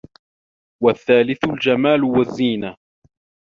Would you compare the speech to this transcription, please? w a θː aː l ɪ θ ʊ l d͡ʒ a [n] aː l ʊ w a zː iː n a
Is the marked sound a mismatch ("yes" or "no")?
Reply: yes